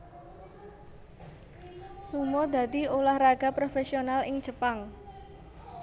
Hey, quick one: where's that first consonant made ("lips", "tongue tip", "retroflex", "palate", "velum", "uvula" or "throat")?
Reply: tongue tip